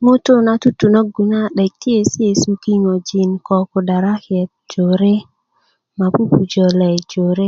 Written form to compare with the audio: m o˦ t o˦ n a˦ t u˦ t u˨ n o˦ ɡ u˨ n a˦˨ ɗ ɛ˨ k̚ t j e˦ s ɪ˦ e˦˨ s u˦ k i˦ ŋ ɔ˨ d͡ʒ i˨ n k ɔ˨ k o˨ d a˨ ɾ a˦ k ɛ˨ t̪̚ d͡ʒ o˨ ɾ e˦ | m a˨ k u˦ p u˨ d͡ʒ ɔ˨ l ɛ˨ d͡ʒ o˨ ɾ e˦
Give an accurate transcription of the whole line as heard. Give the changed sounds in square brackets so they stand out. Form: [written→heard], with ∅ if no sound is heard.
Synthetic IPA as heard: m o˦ t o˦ n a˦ t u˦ t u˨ n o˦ ɡ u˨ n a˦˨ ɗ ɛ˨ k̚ t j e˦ s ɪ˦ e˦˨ s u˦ k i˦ ŋ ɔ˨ d͡ʒ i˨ n k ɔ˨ k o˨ d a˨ ɾ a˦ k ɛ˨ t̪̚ d͡ʒ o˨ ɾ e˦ | m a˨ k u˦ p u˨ d͡ʒ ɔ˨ l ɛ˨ d͡ʒ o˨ ɾ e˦